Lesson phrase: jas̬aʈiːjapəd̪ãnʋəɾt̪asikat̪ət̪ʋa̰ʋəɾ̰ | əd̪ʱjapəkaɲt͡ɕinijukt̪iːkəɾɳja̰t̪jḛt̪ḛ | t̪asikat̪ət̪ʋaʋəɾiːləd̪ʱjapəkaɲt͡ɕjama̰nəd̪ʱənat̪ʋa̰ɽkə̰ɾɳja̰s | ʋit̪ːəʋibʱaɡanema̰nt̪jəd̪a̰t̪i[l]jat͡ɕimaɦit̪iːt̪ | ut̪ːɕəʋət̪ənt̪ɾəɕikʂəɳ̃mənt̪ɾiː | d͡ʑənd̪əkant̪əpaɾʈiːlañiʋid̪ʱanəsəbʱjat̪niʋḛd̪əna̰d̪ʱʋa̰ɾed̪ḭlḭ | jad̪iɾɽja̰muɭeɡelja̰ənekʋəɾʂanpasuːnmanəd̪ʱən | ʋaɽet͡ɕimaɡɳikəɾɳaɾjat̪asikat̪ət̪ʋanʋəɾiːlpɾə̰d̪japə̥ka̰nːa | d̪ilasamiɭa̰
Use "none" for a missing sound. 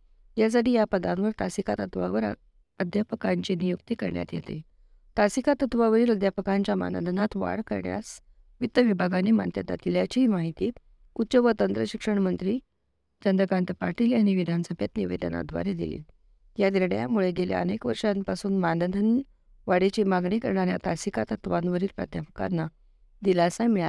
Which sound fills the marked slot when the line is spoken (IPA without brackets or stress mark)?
l